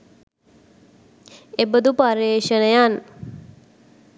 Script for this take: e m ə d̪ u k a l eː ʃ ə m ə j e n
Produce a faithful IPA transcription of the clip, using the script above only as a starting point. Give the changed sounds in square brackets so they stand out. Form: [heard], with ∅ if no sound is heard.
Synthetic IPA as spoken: e [b] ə d̪ u [p] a [ɾ] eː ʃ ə [n] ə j [a] n